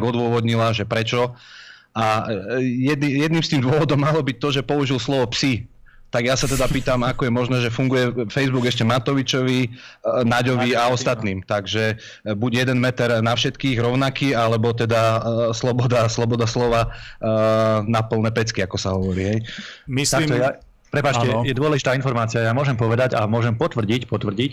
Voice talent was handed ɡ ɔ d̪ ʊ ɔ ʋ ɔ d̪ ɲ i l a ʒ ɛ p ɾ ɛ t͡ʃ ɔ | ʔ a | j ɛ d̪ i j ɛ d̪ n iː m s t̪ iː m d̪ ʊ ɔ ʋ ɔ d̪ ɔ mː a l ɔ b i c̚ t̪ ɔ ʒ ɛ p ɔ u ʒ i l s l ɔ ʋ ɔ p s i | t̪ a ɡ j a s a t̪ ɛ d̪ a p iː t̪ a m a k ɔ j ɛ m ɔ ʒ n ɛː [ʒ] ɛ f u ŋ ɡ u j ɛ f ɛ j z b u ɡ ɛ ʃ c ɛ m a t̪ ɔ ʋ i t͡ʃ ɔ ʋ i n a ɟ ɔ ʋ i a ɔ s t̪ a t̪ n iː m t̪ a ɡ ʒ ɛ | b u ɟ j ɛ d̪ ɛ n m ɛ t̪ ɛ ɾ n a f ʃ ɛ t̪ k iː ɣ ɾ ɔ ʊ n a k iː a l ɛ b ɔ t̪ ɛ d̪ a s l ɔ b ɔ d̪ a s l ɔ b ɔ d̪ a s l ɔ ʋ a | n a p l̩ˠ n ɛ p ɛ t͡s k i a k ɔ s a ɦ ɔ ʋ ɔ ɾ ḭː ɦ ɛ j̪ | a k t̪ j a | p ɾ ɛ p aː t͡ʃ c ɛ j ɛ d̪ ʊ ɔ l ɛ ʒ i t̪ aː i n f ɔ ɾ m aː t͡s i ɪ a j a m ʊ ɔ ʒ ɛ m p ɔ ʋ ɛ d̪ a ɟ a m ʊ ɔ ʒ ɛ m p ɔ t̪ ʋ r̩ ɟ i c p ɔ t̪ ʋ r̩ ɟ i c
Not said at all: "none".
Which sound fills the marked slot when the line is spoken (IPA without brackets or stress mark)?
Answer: ʒ